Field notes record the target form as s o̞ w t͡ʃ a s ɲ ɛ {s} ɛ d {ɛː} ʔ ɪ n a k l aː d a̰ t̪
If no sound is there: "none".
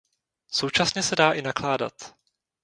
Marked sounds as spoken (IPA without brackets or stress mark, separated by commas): s, aː